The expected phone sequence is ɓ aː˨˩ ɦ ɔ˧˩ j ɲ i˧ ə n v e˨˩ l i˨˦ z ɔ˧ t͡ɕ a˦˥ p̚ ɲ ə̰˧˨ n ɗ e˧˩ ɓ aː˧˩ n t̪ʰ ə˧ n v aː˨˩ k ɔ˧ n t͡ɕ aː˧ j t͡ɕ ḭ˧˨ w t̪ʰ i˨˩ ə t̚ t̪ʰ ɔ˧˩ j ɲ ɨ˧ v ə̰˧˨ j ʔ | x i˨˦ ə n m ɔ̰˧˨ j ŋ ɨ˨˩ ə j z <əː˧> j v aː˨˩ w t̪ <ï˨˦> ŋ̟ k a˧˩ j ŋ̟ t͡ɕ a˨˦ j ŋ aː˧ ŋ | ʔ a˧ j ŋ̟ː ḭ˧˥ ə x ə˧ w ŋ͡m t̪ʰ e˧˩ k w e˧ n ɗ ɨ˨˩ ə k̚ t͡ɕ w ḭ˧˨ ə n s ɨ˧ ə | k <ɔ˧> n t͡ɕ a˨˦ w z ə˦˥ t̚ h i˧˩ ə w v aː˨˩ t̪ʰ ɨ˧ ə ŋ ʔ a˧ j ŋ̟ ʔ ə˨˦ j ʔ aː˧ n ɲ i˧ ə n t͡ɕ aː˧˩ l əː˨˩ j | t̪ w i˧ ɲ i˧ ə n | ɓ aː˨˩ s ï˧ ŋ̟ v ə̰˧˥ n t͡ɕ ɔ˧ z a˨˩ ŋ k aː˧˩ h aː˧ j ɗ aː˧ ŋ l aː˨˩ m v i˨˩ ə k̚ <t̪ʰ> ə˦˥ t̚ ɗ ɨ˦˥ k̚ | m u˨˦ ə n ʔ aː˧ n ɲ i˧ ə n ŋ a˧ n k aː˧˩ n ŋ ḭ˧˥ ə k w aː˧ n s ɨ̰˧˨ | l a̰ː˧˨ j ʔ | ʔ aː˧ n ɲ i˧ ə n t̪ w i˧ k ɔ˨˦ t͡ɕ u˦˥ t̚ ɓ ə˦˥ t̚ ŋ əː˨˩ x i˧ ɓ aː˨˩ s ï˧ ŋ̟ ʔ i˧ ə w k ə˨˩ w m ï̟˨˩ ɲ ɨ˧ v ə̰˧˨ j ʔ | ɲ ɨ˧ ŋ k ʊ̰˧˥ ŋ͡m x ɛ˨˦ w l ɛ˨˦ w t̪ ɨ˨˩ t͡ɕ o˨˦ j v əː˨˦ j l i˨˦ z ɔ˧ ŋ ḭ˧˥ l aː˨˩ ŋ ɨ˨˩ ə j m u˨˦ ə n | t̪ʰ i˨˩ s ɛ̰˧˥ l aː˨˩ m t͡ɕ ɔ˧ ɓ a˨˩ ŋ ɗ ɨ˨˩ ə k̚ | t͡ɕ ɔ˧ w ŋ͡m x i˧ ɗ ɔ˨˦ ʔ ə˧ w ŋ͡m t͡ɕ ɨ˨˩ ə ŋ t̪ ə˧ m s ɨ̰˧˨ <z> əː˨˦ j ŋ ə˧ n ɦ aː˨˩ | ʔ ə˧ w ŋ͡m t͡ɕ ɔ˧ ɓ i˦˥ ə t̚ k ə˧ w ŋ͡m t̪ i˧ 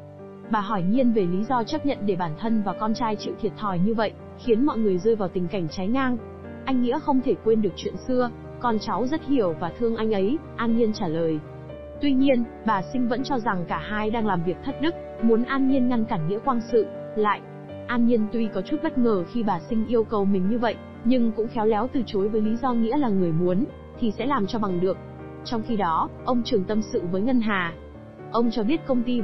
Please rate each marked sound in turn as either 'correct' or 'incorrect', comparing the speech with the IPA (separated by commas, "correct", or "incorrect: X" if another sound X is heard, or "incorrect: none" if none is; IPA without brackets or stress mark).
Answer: correct, incorrect: ï˨˩, correct, correct, incorrect: v